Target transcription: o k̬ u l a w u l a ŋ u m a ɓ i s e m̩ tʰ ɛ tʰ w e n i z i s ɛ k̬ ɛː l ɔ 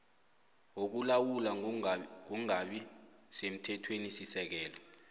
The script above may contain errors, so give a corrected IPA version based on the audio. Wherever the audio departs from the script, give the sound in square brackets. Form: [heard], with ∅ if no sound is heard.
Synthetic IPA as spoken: o k̬ u l a w u l a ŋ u [ŋ] a ɓ i s e m̩ tʰ ɛ tʰ w e n i [s] i s ɛ k̬ ɛː l ɔ